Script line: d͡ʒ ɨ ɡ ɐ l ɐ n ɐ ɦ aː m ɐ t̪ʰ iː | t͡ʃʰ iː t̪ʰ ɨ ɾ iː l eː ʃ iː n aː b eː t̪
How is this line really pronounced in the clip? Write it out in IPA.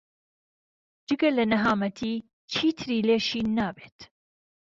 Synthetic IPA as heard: d͡ʒ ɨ ɡ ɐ l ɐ n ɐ ɦ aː m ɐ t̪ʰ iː | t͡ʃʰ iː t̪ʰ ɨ ɾ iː l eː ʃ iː n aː b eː t̪